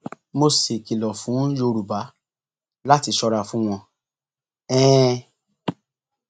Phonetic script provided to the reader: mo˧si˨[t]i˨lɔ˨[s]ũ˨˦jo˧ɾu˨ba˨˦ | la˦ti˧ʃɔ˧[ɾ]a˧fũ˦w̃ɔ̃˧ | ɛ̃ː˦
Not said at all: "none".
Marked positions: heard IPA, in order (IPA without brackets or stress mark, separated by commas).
k, f, ɾ